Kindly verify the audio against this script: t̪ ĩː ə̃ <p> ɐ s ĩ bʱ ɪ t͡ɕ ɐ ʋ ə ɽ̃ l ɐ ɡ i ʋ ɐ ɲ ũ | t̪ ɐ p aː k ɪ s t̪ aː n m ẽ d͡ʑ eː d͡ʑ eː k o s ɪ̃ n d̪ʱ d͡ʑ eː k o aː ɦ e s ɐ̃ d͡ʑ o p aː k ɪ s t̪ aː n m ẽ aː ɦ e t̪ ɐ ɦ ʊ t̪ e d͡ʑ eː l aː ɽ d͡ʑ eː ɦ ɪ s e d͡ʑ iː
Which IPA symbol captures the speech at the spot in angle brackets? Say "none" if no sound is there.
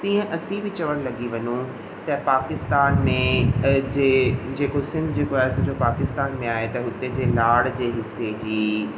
ʔ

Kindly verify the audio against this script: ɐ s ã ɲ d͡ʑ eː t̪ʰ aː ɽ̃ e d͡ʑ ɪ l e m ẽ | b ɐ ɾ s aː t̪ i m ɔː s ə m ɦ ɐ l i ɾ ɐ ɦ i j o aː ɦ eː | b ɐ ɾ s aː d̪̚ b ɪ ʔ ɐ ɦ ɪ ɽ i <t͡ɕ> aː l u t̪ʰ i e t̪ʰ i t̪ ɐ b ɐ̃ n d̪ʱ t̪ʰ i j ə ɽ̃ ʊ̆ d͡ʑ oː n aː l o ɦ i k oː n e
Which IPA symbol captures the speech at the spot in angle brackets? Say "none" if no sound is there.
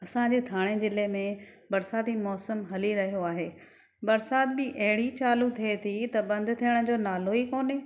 t͡ɕ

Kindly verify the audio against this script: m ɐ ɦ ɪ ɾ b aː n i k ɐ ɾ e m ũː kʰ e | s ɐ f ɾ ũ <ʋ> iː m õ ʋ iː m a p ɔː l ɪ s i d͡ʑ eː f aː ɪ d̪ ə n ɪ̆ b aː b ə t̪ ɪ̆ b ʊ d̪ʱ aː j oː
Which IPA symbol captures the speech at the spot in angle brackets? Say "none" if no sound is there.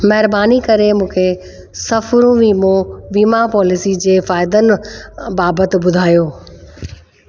ʋ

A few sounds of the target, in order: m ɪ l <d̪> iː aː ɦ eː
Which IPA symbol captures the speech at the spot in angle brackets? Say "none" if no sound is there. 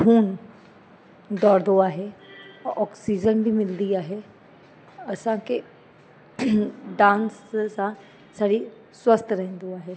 d̪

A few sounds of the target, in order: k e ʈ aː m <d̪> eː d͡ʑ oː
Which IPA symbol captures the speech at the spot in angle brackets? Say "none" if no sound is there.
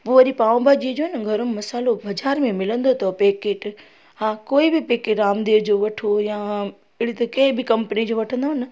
d̪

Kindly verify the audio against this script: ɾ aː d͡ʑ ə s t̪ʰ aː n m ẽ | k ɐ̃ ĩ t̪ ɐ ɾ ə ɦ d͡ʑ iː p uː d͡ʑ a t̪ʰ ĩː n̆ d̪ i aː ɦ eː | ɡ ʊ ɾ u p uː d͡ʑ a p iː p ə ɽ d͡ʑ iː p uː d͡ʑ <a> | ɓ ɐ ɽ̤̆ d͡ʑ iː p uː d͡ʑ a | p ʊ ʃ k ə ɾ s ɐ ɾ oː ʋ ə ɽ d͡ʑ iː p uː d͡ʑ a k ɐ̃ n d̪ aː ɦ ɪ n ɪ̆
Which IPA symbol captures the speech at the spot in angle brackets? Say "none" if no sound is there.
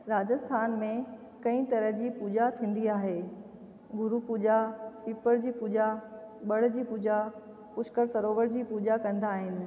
a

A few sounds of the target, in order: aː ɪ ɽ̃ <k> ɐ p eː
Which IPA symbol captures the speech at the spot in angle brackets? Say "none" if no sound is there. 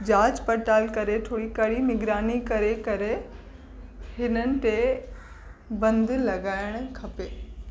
kʰ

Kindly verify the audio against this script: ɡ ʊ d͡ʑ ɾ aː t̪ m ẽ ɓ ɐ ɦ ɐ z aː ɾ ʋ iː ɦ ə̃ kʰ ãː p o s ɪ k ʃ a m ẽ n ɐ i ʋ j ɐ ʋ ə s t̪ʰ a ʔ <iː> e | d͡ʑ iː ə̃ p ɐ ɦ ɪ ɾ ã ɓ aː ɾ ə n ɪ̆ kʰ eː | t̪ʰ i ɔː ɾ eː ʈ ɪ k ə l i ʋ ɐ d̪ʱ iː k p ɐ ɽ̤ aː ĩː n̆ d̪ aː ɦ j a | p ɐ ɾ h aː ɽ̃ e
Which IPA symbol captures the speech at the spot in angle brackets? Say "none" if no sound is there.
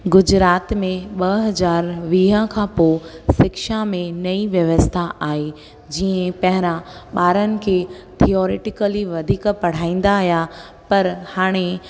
aː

